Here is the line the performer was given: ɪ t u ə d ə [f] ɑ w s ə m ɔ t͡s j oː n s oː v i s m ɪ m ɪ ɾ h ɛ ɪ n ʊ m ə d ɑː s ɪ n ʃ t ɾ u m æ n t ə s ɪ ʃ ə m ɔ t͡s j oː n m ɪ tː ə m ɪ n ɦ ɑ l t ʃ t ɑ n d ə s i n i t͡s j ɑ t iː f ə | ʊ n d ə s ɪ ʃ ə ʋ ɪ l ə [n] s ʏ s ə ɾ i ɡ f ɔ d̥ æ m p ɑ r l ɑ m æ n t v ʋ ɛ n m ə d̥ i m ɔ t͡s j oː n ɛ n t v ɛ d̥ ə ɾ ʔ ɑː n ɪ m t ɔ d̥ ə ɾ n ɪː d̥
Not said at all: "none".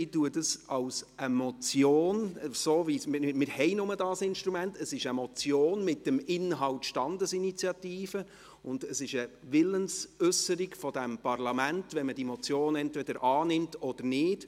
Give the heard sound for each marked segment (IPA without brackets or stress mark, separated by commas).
s, n